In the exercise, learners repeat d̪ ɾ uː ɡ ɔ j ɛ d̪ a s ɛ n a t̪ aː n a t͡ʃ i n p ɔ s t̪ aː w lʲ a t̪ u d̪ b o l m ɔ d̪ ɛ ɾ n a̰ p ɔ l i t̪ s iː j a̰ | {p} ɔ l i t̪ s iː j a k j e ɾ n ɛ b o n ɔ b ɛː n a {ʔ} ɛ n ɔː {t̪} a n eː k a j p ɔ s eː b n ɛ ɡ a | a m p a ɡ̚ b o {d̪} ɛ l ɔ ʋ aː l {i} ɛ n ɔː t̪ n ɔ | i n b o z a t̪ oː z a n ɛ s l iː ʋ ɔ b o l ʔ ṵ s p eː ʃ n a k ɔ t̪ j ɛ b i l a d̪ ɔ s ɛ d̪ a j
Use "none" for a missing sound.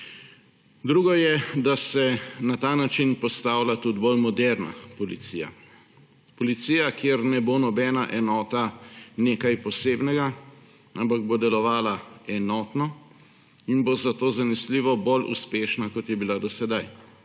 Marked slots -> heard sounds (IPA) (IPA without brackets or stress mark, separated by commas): p, ʔ, t̪, d̪, a